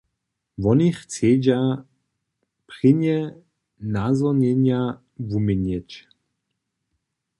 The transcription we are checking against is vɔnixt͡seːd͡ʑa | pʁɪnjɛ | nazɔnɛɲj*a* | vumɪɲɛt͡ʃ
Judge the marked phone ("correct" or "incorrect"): correct